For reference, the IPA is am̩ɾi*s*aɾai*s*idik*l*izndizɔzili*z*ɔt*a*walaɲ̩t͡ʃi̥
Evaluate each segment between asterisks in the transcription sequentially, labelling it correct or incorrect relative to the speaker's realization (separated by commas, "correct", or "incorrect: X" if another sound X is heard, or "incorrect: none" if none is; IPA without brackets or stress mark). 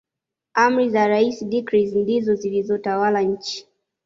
incorrect: z, correct, incorrect: ɾ, correct, correct